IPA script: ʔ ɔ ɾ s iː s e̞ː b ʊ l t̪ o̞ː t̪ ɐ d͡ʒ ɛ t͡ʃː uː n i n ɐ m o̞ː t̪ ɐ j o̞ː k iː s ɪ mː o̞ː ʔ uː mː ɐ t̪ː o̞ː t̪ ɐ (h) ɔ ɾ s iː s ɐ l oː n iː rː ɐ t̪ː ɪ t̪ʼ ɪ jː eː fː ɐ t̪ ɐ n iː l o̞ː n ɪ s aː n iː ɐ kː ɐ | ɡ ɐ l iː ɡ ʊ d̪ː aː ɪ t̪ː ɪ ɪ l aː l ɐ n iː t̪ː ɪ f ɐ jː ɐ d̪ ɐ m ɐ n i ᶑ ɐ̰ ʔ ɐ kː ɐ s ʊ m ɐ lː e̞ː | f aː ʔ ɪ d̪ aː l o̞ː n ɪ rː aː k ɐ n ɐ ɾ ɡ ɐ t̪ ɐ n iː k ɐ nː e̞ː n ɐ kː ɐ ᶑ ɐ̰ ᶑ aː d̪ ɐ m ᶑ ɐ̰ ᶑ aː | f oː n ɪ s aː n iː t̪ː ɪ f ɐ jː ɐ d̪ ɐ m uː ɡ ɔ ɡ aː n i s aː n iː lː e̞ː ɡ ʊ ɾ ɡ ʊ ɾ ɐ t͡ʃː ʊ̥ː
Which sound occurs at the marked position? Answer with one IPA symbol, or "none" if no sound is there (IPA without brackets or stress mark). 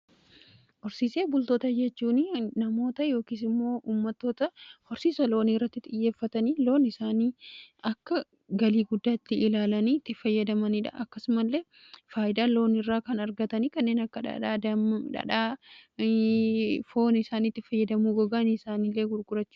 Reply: h